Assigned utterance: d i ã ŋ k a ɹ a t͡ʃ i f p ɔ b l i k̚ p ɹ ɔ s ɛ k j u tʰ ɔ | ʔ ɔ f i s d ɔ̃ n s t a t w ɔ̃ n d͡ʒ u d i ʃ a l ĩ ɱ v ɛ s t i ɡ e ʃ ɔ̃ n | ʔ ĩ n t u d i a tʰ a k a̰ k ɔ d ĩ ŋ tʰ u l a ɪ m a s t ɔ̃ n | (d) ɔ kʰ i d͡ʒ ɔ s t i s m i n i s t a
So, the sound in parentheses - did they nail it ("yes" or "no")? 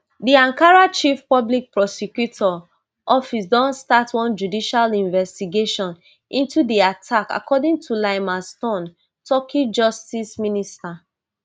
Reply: no